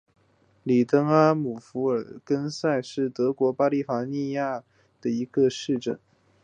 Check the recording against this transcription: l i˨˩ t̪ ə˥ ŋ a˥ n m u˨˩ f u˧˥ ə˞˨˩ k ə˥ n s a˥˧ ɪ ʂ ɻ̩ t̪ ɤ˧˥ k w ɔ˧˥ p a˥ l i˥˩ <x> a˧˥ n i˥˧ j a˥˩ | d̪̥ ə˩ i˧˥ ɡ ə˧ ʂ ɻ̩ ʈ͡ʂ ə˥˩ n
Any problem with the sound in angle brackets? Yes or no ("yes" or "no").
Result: yes